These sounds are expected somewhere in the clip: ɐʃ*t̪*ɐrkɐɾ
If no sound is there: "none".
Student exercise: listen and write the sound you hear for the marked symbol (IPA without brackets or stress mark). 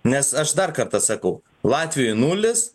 d̪